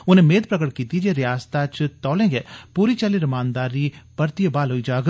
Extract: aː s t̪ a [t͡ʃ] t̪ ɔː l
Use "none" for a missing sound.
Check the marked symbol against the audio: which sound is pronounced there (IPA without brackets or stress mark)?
t͡ʃ